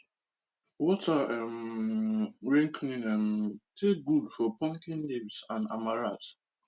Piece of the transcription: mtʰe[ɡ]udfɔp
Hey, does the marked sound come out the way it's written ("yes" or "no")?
yes